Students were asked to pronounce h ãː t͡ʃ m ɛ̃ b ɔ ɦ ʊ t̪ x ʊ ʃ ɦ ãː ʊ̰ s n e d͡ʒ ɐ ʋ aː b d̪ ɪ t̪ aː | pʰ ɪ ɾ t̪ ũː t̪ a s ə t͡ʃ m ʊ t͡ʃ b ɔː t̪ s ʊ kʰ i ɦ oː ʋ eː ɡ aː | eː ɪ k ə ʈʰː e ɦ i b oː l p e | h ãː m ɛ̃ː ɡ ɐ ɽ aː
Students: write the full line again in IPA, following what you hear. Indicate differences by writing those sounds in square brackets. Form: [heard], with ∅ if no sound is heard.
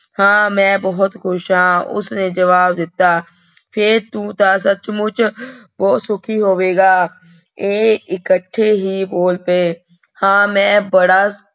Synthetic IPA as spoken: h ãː [∅] m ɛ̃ b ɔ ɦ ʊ t̪ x ʊ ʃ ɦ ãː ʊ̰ s n e d͡ʒ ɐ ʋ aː b d̪ ɪ t̪ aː | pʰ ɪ ɾ t̪ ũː t̪ a s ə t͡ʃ m ʊ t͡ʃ b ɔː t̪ s ʊ kʰ i ɦ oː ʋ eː ɡ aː | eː ɪ k ə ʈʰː e ɦ i b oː l p e | h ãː m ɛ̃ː [b] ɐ ɽ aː